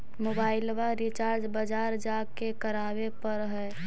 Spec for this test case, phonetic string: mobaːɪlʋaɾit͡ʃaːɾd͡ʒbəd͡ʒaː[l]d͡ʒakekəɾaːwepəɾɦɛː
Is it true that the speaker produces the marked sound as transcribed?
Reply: no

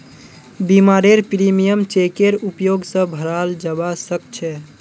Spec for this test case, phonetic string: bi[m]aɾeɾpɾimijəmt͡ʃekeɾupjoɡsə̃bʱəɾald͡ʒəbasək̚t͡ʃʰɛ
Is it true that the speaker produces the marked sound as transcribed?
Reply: yes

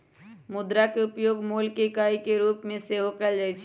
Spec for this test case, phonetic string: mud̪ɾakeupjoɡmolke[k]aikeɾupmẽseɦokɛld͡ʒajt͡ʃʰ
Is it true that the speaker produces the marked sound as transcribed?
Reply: yes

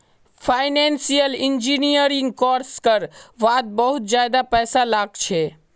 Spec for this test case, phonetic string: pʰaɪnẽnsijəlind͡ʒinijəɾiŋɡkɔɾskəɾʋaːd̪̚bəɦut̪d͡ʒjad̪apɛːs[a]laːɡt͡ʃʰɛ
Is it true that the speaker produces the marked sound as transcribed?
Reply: yes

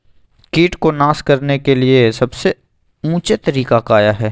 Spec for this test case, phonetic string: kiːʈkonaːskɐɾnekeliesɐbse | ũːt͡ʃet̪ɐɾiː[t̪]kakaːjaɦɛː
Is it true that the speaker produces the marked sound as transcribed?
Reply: no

